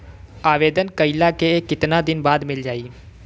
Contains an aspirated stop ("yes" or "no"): no